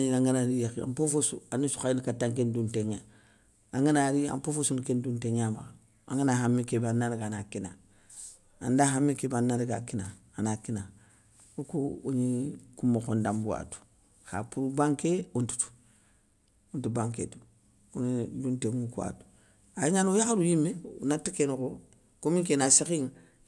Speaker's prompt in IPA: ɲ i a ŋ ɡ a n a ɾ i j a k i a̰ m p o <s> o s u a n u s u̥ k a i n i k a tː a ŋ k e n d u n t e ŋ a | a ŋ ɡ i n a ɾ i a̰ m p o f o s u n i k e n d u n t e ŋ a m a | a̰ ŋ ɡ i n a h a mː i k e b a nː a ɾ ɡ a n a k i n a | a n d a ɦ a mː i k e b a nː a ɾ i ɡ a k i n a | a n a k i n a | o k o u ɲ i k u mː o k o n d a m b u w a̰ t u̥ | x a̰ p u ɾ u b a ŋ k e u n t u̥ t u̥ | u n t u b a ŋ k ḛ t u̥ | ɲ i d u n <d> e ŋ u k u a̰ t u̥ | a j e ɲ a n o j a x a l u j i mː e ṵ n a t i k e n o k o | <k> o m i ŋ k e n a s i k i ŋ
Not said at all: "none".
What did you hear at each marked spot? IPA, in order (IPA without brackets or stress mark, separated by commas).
f, t, k